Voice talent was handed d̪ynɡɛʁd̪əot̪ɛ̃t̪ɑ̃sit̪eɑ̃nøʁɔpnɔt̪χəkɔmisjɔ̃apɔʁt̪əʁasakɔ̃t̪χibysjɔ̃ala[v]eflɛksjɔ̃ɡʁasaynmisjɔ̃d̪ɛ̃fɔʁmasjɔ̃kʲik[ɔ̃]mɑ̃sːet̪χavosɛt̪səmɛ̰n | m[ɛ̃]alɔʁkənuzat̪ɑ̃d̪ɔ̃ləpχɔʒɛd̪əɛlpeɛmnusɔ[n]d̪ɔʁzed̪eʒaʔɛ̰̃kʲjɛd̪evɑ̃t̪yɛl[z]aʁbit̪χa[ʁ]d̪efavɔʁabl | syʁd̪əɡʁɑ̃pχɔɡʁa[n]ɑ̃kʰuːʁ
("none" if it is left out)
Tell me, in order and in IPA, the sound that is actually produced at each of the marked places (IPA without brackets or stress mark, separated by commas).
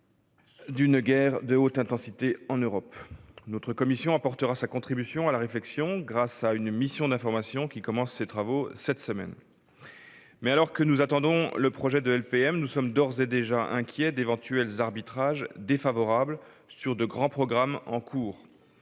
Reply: ʁ, ɔ, ɛ, m, z, ʒ, m